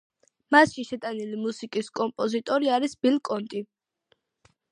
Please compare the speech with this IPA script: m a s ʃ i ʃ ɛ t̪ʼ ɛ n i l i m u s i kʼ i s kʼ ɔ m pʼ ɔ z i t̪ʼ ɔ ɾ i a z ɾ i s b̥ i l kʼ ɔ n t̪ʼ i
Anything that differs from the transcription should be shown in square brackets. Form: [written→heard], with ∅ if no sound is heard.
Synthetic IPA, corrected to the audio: m a s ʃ i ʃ ɛ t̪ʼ [ɛ→a] n i l i m u s i kʼ i s kʼ ɔ m pʼ ɔ z i t̪ʼ ɔ ɾ i a [z→∅] ɾ i s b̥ i l kʼ ɔ n t̪ʼ i